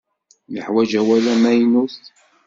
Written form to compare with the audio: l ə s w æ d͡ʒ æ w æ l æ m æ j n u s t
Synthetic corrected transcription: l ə ħ w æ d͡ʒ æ w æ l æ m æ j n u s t